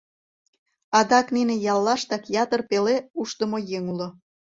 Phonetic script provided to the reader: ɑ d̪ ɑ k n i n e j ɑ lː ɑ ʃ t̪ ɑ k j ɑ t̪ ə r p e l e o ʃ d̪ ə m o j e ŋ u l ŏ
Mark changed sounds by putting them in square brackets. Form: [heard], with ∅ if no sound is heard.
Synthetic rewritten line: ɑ d̪ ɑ k n i n e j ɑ lː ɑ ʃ t̪ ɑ k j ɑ t̪ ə r p e l e [u] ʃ [t̪] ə m o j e ŋ u l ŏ

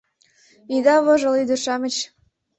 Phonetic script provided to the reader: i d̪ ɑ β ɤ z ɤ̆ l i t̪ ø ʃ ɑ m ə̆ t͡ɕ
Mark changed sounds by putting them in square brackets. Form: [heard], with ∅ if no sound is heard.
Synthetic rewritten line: i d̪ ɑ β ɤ [ʒ] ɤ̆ l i [d̪] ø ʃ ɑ m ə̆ t͡ɕ

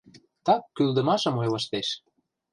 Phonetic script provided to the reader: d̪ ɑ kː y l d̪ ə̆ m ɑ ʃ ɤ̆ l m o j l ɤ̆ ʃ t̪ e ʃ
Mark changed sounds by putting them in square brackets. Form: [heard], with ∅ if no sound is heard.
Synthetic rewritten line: [t̪] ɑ kː y l d̪ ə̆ m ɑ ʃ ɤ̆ [∅] m o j l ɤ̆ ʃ t̪ e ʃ

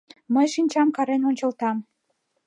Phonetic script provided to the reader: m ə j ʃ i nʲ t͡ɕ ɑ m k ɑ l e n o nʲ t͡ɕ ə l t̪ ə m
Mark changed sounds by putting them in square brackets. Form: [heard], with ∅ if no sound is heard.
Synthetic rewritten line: m ə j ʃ i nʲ t͡ɕ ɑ m k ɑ [ɾ] e n o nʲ t͡ɕ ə l t̪ [ɑ] m

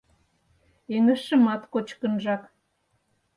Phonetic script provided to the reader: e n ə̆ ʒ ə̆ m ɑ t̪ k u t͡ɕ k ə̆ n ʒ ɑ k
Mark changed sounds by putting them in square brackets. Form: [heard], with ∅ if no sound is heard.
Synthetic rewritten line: e [ŋ] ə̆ [ʃ] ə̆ m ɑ t̪ k [o] t͡ɕ k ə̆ n ʒ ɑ k

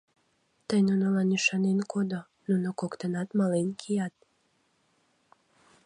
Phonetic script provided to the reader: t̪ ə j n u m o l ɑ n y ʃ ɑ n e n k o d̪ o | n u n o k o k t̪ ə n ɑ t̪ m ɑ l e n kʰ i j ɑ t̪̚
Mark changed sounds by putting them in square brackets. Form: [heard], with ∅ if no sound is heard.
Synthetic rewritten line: t̪ ə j n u [n] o l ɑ n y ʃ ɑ n e n k o d̪ o | n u n o k o k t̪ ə n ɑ t̪ m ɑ l e n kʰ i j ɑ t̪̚

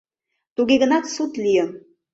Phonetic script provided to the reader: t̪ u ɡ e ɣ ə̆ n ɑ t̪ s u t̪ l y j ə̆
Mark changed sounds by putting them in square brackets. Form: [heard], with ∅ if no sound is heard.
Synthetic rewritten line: t̪ u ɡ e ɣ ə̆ n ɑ t̪ s u t̪ l [i] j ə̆

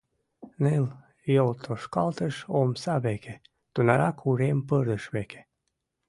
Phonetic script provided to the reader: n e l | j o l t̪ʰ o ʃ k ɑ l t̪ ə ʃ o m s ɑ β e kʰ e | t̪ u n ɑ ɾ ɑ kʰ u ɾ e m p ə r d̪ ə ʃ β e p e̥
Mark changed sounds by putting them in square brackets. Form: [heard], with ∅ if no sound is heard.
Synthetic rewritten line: n e l | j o l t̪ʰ o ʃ k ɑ l t̪ ə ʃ o m s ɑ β e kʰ e | t̪ u n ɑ ɾ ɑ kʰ u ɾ e m p ə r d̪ ə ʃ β e [k] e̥

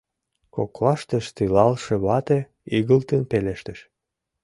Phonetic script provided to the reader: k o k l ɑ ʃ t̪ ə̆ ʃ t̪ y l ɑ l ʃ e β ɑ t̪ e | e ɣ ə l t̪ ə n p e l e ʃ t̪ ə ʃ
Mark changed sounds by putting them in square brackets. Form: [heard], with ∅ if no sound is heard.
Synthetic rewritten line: k o k l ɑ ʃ t̪ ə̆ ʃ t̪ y l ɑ l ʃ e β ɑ t̪ e | [i] ɣ ə l t̪ ə n p e l e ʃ t̪ ə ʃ

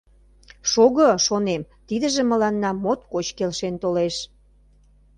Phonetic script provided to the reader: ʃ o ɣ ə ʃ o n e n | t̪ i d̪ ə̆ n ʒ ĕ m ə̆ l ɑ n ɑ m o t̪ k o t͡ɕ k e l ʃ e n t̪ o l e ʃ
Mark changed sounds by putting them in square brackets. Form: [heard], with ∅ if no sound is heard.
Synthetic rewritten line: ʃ o ɣ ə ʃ o n e [m] | t̪ i d̪ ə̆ [∅] ʒ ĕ m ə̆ l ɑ [nː] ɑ m o t̪ k o t͡ɕ k e l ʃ e n t̪ o l e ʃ

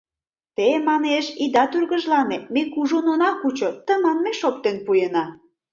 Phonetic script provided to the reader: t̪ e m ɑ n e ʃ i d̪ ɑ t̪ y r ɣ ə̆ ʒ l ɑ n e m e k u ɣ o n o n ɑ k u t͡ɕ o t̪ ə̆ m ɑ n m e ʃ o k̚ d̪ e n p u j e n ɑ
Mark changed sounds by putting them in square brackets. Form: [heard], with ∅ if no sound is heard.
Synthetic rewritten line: t̪ e m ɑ n e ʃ i d̪ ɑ t̪ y r ɣ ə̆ ʒ l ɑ n e m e k u [ʒ] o n o n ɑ k u t͡ɕ o t̪ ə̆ m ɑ n m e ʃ o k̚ [t̪] e n p u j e n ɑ

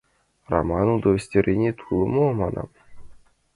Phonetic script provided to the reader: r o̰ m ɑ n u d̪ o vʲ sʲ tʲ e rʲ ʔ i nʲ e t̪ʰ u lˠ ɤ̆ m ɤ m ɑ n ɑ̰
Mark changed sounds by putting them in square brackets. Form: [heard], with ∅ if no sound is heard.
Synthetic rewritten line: r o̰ m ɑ n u d̪ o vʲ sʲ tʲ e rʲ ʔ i nʲ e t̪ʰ u lˠ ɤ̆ m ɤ m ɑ n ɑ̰

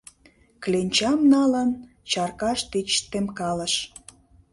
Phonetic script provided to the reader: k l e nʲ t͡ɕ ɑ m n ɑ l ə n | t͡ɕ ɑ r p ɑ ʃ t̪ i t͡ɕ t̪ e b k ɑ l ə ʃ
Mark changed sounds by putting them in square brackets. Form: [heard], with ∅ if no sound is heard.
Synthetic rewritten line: k l e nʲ t͡ɕ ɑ m n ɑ l ə n | t͡ɕ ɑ r [k] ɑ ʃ t̪ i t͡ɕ t̪ e [m] k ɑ l ə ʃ

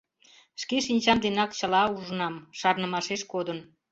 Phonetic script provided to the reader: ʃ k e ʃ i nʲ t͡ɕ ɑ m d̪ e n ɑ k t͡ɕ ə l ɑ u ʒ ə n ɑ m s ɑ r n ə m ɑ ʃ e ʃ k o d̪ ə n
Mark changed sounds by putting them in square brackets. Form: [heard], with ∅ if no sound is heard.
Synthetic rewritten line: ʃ k e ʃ i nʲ t͡ɕ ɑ m d̪ e n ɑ k t͡ɕ ə l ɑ u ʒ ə n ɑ m [ʃ] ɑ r n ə m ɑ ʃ e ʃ k o d̪ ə n

